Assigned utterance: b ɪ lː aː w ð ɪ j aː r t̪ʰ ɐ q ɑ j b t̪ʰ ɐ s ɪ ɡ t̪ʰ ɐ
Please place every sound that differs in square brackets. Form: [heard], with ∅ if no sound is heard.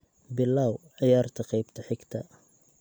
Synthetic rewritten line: b ɪ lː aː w [ʕ] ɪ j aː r t̪ʰ ɐ q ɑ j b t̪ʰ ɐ [ħ] ɪ ɡ t̪ʰ ɐ